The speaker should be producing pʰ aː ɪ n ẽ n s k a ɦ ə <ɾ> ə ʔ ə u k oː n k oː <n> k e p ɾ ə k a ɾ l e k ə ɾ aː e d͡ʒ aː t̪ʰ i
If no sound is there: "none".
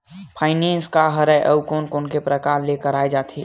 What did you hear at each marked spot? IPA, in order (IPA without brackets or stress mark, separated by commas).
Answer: ɾ, n